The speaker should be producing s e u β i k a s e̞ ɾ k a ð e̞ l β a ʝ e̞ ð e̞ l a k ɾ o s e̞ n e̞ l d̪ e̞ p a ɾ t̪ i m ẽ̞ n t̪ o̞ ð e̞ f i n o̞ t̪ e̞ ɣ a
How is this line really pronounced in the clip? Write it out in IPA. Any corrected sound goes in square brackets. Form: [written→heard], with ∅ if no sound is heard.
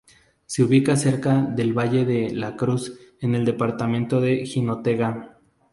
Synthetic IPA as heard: s e u β i k a s e̞ ɾ k a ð e̞ l β a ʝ e̞ ð e̞ l a k ɾ [o→u] s e̞ n e̞ l d̪ e̞ p a ɾ t̪ [i→a] m ẽ̞ n t̪ o̞ ð e̞ [f→x] i n o̞ t̪ e̞ ɣ a